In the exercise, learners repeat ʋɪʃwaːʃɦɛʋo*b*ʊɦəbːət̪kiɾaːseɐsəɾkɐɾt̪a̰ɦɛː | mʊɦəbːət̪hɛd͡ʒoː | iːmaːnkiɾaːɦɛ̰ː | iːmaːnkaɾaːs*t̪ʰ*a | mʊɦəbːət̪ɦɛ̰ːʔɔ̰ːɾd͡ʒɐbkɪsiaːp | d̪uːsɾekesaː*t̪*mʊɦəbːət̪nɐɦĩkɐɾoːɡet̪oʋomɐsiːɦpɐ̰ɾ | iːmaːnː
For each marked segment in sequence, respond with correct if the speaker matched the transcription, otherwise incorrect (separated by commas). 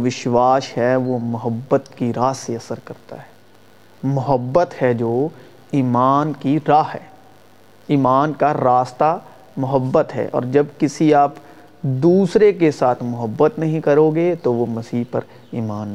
incorrect, incorrect, incorrect